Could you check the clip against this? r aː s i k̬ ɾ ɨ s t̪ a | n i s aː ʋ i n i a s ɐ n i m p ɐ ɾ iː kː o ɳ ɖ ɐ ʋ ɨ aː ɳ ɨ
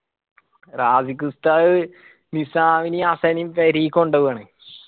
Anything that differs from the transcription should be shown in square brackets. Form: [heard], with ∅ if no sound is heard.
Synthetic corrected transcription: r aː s i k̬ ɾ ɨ s t̪ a | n i s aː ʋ i n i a s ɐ n i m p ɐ ɾ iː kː o ɳ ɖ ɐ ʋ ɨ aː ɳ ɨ